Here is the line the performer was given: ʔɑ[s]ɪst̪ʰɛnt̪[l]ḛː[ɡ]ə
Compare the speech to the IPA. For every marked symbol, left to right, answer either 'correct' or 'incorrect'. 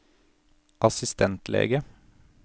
correct, correct, correct

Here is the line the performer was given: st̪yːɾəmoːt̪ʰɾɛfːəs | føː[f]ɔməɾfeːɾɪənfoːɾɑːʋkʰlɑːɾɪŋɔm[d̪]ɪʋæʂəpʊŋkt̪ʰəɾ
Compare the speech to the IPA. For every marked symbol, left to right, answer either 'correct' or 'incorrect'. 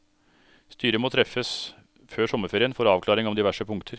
incorrect: ʂ, correct

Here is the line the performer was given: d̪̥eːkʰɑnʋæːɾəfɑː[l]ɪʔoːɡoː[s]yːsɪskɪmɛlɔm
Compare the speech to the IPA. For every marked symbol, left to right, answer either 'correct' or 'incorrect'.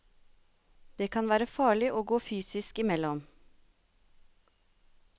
incorrect: ɭ, incorrect: f

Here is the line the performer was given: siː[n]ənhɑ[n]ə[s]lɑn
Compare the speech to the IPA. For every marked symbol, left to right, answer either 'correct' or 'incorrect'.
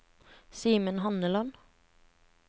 incorrect: m, correct, incorrect: none

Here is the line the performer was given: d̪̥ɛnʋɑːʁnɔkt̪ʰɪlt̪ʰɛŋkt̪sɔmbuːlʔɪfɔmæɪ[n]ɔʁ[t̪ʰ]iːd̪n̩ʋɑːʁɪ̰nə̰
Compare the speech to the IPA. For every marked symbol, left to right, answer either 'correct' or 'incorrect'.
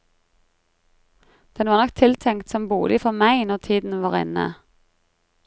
correct, correct

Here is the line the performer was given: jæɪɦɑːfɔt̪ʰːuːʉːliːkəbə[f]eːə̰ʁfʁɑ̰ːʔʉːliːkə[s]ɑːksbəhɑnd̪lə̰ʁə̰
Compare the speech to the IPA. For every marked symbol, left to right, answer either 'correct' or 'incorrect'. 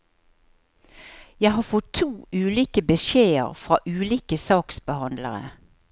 incorrect: ʃ, correct

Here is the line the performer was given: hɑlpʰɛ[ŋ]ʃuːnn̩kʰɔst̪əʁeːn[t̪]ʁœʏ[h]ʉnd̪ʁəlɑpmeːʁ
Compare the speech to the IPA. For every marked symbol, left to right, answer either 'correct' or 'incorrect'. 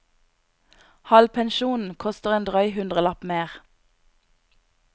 incorrect: n, incorrect: d̪, correct

